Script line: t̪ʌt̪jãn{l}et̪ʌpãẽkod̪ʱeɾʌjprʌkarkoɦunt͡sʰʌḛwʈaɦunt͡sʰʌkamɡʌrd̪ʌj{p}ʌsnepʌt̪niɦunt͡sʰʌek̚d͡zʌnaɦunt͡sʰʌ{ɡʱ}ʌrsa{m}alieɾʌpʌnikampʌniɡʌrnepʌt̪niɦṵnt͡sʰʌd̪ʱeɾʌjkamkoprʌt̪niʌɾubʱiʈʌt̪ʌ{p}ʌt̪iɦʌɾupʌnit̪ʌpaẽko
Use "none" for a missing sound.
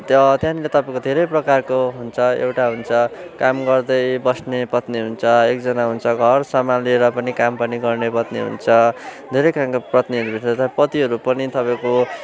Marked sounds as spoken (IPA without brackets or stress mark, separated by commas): l, b, ɡʱ, m, p